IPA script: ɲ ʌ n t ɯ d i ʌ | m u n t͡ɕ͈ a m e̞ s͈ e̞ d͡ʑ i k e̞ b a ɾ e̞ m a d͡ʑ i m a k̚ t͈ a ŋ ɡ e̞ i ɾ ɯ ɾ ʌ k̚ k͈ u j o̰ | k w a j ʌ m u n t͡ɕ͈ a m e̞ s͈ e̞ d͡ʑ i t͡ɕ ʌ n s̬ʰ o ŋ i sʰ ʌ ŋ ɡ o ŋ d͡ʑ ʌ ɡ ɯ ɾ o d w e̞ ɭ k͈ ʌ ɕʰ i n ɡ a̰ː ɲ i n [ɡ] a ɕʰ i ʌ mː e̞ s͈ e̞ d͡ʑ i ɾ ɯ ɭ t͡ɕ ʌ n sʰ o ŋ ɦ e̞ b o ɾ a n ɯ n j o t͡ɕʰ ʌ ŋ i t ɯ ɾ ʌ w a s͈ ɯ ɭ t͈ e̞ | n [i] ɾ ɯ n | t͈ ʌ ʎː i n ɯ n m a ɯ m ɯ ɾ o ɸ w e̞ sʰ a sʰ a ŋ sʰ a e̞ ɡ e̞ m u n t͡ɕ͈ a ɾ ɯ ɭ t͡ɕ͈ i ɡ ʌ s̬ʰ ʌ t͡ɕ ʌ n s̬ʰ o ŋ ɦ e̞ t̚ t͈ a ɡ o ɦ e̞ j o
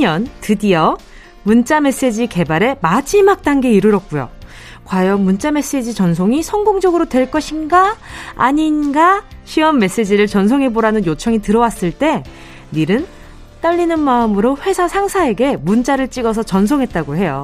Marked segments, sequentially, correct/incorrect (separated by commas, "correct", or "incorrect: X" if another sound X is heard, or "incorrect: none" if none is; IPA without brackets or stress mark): correct, correct